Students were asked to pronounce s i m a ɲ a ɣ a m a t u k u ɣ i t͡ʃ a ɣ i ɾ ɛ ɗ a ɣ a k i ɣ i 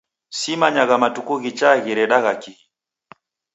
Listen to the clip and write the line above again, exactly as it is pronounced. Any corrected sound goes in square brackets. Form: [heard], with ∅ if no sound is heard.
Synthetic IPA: s i m a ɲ a ɣ a m a t u k u ɣ i t͡ʃ a ɣ i ɾ ɛ ɗ a ɣ a k i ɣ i

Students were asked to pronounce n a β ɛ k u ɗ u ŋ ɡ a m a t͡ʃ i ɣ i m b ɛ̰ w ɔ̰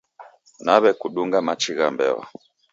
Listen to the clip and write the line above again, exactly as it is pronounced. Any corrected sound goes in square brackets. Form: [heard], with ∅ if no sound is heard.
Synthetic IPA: n a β ɛ k u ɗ u ŋ ɡ a m a t͡ʃ i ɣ [a] m b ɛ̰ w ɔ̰

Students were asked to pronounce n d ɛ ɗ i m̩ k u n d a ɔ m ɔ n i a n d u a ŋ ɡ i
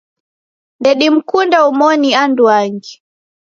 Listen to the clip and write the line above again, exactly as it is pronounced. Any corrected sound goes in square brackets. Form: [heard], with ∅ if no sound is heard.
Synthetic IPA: n d ɛ ɗ i m̩ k u n d a [u] m ɔ n i a n d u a ŋ ɡ i

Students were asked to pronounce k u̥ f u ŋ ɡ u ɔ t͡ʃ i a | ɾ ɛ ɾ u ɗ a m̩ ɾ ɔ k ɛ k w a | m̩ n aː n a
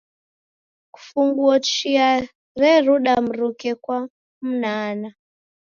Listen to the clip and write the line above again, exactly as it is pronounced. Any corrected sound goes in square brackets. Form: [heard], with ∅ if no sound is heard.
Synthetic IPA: k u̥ f u ŋ ɡ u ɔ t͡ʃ i a | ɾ ɛ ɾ u ɗ a m̩ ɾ [u] k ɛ k w a | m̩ n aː n a

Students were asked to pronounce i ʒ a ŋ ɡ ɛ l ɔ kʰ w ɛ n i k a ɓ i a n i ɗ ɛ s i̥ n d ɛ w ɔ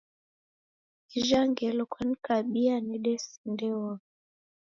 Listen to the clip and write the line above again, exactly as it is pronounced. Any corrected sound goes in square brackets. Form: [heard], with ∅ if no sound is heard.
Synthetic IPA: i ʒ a ŋ ɡ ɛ l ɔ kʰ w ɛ n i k a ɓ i a n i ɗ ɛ s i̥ n d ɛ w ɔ

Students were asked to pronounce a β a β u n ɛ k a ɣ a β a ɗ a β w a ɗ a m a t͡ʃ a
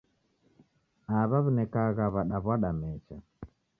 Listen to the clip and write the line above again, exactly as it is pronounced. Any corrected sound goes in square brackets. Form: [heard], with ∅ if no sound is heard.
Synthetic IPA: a β a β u n ɛ k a ɣ a β a ɗ a β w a ɗ a m [ɛ] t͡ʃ a

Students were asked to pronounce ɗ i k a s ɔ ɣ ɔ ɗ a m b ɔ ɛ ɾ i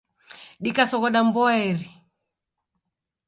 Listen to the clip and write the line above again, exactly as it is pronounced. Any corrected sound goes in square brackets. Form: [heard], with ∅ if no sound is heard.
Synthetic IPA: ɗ i k a s ɔ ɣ ɔ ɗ a m b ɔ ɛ ɾ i

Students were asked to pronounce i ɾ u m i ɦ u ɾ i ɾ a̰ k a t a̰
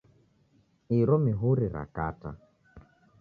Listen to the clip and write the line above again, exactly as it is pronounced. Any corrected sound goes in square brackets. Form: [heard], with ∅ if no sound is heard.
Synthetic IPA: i ɾ [ɔ] m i ɦ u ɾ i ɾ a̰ k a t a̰

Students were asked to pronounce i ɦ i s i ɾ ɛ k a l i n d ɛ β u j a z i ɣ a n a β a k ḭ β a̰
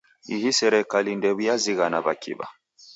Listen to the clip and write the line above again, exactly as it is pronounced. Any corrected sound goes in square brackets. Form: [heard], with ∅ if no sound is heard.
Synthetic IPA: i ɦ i s [ɛ] ɾ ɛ k a l i n d ɛ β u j a z i ɣ a n a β a k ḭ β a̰

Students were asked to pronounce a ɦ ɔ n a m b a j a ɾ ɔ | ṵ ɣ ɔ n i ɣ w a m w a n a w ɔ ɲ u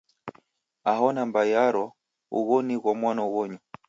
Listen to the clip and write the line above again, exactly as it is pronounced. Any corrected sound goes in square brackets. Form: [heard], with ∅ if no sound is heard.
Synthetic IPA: a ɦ ɔ n a m b a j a ɾ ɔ | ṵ ɣ ɔ n i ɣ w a m w a n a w ɔ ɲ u

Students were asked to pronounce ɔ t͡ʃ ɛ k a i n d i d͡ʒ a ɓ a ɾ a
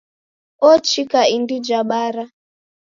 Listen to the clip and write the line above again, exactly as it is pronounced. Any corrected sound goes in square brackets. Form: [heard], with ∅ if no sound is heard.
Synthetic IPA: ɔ t͡ʃ [i] k a i n d i d͡ʒ a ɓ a ɾ a

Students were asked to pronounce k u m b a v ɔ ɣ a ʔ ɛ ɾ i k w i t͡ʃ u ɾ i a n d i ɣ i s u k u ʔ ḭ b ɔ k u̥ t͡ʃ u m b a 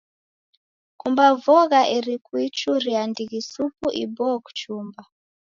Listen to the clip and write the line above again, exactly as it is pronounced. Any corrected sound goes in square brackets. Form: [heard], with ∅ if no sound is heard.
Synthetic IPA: k u m b a v ɔ ɣ a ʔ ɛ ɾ i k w i t͡ʃ u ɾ i a n d i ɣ i s u [p] u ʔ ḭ b ɔ k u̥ t͡ʃ u m b a

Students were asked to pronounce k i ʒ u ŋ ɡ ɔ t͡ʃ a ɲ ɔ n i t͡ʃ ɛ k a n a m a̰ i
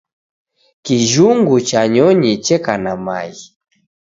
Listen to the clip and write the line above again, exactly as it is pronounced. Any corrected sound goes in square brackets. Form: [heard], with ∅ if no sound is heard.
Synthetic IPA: k i ʒ u ŋ ɡ [u] t͡ʃ a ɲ ɔ [ɲ] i t͡ʃ ɛ k a n a m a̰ i

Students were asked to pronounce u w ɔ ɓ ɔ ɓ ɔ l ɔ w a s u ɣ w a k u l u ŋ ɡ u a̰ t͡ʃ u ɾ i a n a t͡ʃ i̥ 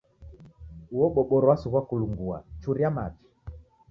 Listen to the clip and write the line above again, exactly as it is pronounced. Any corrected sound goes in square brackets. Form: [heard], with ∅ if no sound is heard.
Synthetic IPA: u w ɔ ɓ ɔ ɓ ɔ [ɾ] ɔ w a s u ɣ w a k u l u ŋ ɡ u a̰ t͡ʃ u ɾ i a [m] a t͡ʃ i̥

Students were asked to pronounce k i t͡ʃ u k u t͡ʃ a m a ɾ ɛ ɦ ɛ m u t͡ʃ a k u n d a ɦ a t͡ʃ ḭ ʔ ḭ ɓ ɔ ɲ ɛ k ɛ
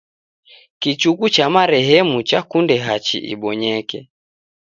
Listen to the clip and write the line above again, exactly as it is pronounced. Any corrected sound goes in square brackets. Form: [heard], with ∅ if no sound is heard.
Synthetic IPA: k i t͡ʃ u k u t͡ʃ a m a ɾ ɛ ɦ ɛ m u t͡ʃ a k u n d [ɛ] ɦ a t͡ʃ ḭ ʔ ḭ ɓ ɔ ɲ ɛ k ɛ

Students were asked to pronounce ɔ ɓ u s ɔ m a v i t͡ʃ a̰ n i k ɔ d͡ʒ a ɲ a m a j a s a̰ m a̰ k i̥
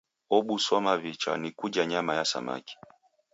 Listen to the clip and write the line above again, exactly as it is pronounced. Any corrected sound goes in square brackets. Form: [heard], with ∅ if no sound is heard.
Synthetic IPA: ɔ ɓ u s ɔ m a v i t͡ʃ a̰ n i k [u] d͡ʒ a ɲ a m a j a s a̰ m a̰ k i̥

